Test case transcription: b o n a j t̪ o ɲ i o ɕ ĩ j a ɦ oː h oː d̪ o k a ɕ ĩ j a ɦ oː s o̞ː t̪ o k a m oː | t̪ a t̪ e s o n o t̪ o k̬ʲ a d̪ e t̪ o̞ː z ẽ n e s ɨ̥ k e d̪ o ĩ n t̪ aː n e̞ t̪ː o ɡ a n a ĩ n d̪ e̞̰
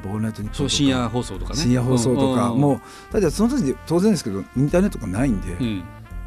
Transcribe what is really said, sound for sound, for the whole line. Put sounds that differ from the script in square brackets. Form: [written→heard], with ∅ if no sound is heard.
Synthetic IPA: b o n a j t̪ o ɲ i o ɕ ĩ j a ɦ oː [h→s] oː [d̪→t̪] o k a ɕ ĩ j a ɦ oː s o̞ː t̪ o k a m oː | t̪ a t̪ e s o n o t̪ o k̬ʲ [a→i] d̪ e t̪ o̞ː z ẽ n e s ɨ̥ k e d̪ o ĩ n t̪ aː n e̞ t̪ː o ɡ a n a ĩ n d̪ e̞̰